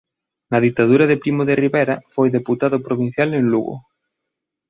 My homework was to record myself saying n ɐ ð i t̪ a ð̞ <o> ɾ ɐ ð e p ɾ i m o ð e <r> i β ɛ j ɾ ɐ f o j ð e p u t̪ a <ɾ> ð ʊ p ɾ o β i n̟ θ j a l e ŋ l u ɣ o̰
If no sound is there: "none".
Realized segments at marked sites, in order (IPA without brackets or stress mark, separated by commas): u, r, none